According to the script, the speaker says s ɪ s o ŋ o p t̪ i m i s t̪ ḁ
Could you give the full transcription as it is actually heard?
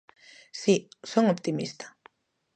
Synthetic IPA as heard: s i s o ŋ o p t̪ i m i s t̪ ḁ